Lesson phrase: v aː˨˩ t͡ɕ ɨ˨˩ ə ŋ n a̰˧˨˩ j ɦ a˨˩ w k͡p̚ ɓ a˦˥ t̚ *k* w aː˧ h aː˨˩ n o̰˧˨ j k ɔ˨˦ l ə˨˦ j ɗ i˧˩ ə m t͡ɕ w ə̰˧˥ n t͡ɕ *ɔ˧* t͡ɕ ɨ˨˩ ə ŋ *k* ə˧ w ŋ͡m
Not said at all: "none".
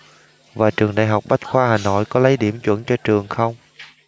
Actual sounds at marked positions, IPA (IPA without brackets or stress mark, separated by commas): x, ɔ˧, x